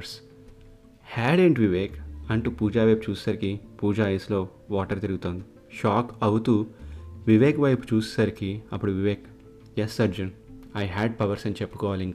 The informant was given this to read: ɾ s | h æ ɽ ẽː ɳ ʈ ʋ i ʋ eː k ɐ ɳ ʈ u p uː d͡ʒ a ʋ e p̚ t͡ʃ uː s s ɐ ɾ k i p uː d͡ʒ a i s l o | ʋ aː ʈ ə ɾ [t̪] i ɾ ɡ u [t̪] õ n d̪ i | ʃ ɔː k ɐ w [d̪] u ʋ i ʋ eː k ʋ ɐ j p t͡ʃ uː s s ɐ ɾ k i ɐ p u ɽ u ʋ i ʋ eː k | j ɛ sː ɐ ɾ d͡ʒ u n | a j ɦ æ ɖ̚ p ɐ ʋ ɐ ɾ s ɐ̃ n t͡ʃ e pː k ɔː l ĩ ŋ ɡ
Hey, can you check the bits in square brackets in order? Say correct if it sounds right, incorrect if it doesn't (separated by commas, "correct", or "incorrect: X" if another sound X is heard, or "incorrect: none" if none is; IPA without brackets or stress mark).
correct, correct, incorrect: t̪